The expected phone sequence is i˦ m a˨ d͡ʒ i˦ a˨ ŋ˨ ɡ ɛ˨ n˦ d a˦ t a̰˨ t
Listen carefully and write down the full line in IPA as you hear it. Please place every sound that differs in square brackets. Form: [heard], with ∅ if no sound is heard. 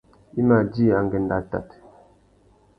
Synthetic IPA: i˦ m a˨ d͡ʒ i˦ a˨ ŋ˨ ɡ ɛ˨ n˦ d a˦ t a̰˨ t